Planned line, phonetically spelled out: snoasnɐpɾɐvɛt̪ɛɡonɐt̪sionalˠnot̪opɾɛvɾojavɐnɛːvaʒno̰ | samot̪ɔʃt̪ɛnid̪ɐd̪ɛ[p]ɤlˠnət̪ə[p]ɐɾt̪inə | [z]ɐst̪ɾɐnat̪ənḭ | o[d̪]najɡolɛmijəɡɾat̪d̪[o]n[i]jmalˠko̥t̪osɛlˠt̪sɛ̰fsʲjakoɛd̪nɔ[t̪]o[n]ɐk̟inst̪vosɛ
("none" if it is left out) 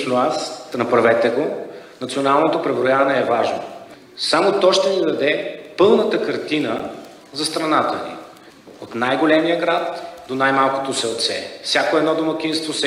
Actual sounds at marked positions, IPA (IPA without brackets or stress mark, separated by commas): p, k, z, t̪, o, a, d̪, m